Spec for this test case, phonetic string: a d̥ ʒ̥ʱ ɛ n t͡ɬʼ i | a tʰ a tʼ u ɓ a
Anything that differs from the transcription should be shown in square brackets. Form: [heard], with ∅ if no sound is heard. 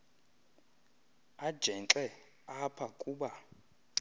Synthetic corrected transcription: a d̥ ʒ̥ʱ ɛ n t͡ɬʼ [ɛ] | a [pʰ] a [kʼ] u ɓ a